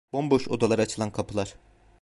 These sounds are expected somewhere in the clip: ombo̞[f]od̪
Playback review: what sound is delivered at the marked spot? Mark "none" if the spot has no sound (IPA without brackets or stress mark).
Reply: ʃ